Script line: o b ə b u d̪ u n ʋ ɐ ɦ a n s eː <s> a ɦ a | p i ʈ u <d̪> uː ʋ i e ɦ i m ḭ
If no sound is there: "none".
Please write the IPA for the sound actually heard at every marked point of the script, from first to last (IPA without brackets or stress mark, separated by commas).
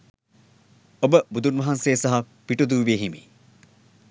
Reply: s, d̪